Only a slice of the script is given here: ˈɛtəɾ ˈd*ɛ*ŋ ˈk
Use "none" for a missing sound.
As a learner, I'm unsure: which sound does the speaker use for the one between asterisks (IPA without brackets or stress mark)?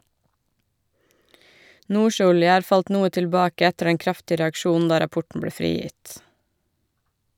ɛ